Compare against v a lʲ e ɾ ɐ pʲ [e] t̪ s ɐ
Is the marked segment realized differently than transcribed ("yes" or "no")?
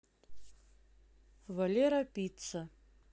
yes